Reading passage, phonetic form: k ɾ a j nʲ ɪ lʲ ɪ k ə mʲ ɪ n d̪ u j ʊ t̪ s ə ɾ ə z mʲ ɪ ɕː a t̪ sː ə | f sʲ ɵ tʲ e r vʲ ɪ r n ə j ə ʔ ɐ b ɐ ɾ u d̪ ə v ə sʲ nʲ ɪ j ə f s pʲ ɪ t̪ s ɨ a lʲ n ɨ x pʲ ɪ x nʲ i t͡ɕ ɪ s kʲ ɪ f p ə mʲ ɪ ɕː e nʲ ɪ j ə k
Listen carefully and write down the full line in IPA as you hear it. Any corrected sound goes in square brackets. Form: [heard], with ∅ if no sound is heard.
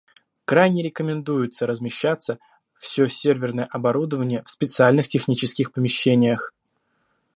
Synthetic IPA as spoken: k ɾ a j nʲ ɪ [ɾʲ] ɪ k ə mʲ ɪ n d̪ u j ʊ t̪ s ə ɾ ə z mʲ ɪ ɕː a t̪ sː ə | f sʲ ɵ [sʲ] e r vʲ ɪ r n ə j ə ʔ ɐ b ɐ ɾ u d̪ ə v ə [∅] nʲ ɪ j ə f s pʲ ɪ t̪ s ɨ a lʲ n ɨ x [tʲ] ɪ x nʲ i t͡ɕ ɪ s kʲ ɪ [x] p ə mʲ ɪ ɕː e nʲ ɪ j ə [x]